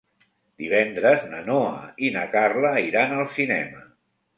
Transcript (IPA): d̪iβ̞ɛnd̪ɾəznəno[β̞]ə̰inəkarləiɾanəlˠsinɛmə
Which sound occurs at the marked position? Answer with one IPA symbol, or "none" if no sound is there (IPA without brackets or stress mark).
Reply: none